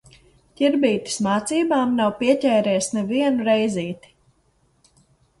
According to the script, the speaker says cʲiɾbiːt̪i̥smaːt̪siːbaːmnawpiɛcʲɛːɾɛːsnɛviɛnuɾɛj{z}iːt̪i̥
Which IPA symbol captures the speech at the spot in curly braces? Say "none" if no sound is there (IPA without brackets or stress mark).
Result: z